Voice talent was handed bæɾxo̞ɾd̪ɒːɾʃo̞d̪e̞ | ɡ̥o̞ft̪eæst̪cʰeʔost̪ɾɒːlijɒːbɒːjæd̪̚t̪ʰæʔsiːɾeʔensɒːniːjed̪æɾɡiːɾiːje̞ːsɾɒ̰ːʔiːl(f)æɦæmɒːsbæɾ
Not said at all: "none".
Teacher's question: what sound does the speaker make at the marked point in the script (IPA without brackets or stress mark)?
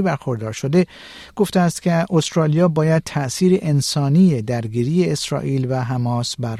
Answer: v